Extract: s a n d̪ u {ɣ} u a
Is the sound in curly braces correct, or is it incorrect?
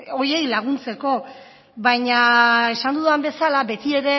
incorrect